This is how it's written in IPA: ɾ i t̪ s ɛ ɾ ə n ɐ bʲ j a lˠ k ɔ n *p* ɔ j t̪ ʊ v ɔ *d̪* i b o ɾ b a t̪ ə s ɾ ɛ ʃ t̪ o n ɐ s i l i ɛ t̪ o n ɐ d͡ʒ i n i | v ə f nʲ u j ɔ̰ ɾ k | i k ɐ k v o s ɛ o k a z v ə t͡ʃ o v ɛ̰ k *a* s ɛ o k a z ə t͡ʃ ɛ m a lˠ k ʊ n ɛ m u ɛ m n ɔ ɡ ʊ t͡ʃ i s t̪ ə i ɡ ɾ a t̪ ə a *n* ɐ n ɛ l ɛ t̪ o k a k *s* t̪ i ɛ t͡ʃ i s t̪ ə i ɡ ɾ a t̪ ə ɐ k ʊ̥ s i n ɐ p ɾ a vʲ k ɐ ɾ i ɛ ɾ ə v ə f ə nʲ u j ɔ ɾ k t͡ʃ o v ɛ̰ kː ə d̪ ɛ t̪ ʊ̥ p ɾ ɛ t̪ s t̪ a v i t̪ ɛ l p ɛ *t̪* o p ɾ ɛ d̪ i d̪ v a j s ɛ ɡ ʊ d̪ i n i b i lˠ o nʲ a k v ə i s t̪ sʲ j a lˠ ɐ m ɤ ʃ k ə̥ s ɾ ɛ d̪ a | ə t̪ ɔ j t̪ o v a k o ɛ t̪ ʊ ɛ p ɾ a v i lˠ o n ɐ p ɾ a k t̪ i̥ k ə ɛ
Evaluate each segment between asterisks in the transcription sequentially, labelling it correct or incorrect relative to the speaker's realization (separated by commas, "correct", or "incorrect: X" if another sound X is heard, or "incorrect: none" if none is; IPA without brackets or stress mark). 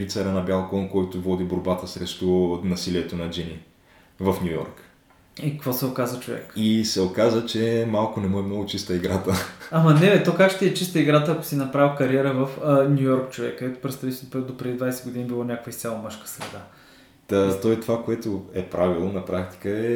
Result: incorrect: k, correct, incorrect: i, incorrect: m, incorrect: ʃ, incorrect: d̪